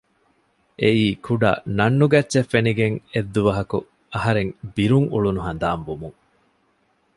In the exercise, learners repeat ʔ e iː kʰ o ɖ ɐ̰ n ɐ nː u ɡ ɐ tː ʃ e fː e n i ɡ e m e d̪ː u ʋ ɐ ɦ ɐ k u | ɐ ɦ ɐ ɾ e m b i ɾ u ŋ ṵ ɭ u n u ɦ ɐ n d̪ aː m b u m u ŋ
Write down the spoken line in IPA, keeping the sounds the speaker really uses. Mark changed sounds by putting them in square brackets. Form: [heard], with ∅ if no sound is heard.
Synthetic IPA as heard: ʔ e iː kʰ [u] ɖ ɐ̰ n ɐ nː u ɡ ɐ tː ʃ e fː e n i ɡ e [ŋ] e d̪ː u ʋ ɐ ɦ ɐ k u | ɐ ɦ ɐ ɾ e [ŋ] b i ɾ u ŋ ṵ ɭ u n u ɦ ɐ n d̪ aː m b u m u ŋ